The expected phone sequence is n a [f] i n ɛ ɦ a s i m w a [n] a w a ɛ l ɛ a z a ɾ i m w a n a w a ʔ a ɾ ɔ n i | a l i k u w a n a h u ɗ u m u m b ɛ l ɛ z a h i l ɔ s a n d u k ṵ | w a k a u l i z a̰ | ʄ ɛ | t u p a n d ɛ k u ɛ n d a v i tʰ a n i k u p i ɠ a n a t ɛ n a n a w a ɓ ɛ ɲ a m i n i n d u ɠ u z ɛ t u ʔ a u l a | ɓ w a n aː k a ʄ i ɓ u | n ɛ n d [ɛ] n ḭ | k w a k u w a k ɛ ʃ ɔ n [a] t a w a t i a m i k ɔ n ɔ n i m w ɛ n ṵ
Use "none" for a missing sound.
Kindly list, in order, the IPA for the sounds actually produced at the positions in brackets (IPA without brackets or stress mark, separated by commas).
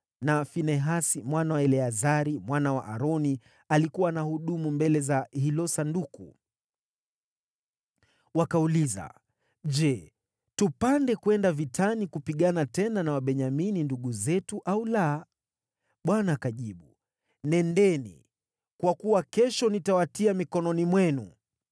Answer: f, n, ɛ, i